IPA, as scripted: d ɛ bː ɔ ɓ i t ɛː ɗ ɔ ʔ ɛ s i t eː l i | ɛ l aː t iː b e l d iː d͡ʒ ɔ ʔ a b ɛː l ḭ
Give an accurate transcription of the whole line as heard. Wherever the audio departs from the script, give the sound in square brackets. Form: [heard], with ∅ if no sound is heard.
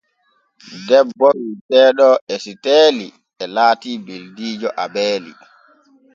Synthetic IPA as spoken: d ɛ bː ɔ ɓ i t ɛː ɗ ɔ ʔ ɛ s i t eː l i | ɛ l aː t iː b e l d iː d͡ʒ ɔ ʔ a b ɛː l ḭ